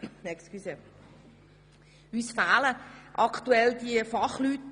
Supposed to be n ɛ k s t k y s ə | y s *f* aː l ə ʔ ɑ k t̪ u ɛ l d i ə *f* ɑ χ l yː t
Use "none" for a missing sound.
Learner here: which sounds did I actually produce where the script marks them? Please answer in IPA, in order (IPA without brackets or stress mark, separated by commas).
f, f